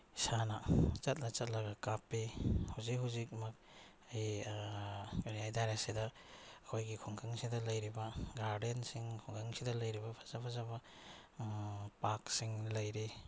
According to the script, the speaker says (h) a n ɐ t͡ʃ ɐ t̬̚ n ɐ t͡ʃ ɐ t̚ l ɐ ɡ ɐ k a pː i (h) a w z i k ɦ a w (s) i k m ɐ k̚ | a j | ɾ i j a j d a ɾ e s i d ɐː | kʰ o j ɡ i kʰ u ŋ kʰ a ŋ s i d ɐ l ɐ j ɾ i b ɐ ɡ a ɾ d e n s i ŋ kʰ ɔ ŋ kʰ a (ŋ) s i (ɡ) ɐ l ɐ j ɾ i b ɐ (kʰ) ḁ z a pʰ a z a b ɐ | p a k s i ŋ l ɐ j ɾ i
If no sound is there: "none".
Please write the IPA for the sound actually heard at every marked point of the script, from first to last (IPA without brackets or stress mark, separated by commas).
s, h, z, ŋ, d, pʰ